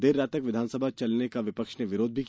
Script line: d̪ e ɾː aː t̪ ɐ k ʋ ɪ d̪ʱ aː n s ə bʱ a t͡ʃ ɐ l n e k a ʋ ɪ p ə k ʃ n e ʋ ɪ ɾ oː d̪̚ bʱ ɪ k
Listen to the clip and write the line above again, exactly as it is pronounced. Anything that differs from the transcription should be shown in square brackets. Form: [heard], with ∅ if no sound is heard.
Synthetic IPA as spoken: d̪ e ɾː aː t̪ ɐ k ʋ ɪ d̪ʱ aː n s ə bʱ a t͡ʃ ɐ l n e k a ʋ ɪ p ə k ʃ n e ʋ ɪ ɾ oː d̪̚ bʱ [i] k